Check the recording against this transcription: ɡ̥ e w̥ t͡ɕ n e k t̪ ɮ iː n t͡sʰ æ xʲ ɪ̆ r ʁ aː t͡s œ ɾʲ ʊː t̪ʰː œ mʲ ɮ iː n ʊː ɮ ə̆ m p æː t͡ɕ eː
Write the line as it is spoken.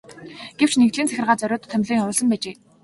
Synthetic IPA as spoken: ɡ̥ e w̥ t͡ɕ n e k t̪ ɮ iː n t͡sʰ æ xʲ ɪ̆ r ʁ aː t͡s œ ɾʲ ʊː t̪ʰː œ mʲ ɮ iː ŋ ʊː ɮ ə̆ m p æː t͡ɕ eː